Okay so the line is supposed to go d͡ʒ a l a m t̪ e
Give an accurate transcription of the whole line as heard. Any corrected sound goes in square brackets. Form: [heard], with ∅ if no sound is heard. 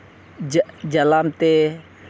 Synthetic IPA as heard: d͡ʒ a l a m t̪ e